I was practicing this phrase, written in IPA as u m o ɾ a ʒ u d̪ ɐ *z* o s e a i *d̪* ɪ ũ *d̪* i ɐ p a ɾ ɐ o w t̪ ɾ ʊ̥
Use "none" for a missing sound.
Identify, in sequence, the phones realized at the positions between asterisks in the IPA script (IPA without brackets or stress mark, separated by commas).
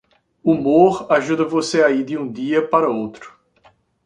v, d̪, d̪